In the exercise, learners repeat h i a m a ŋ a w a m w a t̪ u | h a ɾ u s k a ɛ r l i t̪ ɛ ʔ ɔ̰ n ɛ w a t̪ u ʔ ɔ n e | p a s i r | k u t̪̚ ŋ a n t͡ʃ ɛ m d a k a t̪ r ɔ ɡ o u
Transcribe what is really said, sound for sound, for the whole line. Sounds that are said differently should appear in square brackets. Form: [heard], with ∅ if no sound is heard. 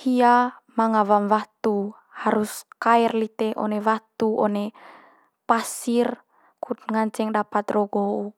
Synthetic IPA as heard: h i a m a ŋ a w a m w a t̪ u | h a ɾ u s k a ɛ r l i t̪ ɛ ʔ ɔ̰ n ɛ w a t̪ u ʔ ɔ n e | p a s i r | k u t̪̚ ŋ a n t͡ʃ ɛ [ŋ] d a [p] a t̪ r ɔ ɡ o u